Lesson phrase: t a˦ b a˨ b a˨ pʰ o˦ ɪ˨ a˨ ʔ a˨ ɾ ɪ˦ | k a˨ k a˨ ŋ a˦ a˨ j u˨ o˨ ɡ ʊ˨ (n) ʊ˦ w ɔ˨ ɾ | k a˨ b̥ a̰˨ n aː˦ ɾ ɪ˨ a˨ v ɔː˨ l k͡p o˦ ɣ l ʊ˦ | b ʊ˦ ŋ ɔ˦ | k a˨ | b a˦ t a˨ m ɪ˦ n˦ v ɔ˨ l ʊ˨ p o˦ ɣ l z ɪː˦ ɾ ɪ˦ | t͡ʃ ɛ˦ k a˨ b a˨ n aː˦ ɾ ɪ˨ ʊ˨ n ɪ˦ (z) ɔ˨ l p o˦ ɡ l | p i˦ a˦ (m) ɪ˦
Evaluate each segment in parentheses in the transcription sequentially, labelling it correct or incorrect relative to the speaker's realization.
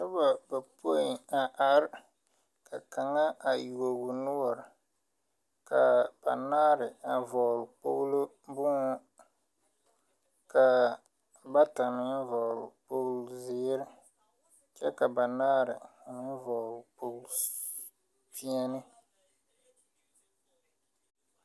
correct, incorrect: v, incorrect: n

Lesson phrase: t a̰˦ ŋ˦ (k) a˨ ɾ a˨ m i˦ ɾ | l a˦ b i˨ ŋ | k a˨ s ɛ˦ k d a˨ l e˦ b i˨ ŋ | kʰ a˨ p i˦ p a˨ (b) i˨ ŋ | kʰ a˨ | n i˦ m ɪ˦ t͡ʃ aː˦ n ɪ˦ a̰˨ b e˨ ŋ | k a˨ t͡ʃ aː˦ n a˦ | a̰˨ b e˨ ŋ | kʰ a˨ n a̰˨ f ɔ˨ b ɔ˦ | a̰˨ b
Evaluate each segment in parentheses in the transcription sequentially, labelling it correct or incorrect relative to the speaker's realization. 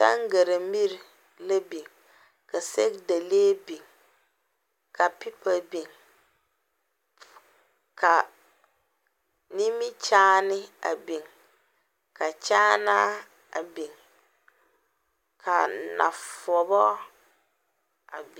incorrect: ɡ, correct

